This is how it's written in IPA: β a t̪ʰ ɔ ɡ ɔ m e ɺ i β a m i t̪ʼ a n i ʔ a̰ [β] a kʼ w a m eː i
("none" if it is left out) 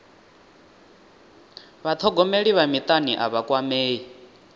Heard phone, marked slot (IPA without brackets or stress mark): β